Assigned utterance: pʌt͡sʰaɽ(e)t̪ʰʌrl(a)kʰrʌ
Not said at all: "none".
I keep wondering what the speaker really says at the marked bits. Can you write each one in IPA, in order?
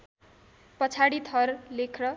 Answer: i, e

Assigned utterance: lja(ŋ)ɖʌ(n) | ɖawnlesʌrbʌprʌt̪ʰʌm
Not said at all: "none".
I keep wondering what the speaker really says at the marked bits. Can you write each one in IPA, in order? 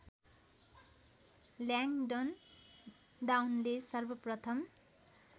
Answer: ŋ, n

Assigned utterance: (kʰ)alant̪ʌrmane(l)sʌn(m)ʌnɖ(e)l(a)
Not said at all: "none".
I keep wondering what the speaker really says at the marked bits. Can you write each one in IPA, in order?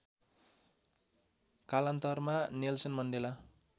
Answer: k, l, m, e, a

